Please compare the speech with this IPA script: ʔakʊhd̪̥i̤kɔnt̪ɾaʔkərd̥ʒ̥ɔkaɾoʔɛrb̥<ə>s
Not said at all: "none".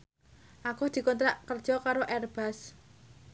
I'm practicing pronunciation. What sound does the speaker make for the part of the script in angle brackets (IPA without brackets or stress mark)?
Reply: a